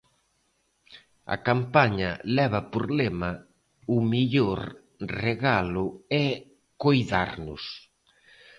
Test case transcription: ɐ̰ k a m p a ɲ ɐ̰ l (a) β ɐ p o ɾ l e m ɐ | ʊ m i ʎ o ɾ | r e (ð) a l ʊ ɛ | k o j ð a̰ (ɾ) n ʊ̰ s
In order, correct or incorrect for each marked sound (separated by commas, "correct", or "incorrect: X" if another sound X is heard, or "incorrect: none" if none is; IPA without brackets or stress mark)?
incorrect: ɛ, incorrect: ɣ, correct